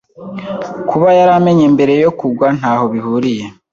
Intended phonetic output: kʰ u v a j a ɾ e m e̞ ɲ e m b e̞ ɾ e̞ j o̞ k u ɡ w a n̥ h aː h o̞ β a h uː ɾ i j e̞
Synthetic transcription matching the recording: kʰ u β a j a ɾ a m e̞ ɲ e m b e̞ ɾ e̞ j o̞ k u ɡ w a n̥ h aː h o̞ β i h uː ɾ i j e̞